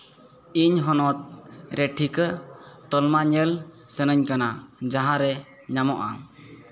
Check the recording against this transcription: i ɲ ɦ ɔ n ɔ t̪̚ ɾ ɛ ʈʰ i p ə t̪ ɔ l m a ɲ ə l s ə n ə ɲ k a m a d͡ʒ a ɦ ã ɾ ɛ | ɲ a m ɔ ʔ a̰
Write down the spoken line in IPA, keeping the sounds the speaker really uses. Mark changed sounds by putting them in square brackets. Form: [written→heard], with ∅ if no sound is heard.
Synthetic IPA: i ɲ ɦ ɔ n ɔ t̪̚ ɾ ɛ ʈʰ i [p→k] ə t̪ ɔ l m a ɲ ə l s ə n ə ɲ k a [m→n] a d͡ʒ a ɦ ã ɾ ɛ | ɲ a m ɔ ʔ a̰